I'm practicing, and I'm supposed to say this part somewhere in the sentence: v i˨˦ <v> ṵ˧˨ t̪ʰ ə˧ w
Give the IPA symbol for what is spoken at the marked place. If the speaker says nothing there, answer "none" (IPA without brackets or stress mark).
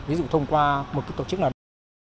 z